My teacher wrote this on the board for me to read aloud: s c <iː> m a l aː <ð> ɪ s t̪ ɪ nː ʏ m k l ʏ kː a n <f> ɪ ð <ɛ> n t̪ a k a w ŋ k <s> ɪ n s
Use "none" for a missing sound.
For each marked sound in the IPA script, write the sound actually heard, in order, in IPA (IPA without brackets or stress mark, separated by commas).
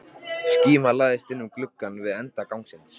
iː, ð, v, ɛ, s